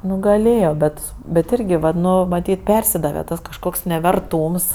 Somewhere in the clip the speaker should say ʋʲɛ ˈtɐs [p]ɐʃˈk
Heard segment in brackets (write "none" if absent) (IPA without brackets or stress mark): k